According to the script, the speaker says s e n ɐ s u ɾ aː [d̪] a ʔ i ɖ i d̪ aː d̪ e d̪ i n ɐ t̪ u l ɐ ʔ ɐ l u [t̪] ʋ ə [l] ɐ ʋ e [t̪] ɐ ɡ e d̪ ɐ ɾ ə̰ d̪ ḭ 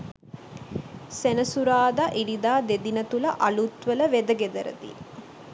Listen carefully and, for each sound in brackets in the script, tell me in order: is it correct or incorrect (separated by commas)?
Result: correct, correct, correct, incorrect